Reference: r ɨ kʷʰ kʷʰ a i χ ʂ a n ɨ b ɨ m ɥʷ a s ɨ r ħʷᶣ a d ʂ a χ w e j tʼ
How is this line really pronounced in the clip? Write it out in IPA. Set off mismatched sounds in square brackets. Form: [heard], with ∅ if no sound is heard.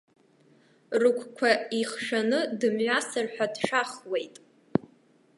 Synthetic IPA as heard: r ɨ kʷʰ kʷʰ a i χ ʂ a n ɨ [d] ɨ m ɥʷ a s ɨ r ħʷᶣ a d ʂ a χ w e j tʼ